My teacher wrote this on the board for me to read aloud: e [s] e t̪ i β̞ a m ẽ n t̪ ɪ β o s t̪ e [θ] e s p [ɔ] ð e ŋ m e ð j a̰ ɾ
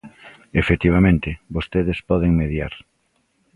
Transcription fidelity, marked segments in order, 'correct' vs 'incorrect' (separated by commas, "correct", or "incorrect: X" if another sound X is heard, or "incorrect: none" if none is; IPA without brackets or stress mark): incorrect: f, incorrect: ð, correct